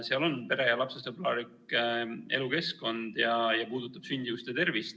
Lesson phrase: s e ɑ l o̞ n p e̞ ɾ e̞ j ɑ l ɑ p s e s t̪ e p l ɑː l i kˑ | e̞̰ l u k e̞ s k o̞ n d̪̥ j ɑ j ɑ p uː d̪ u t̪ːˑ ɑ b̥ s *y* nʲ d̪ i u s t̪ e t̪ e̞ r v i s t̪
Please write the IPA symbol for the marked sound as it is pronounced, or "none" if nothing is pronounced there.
y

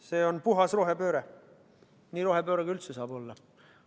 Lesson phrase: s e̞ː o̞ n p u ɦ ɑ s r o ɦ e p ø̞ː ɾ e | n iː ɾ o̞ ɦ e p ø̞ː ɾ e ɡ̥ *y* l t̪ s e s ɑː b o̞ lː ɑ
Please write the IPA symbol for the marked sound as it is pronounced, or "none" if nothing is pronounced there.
y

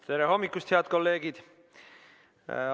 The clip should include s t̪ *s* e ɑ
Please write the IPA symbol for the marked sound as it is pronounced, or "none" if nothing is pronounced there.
h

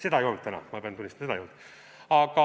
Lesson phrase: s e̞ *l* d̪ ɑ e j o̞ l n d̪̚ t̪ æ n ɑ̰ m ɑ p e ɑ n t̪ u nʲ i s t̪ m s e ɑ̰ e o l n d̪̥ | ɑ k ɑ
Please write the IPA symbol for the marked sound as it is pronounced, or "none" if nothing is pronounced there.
none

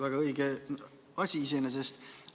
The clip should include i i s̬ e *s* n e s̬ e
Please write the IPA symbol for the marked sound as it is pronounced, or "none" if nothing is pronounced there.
none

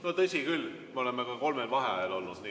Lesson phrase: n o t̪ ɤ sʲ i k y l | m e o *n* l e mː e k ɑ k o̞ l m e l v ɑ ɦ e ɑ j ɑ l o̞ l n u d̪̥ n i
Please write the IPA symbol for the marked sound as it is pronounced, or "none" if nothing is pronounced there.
none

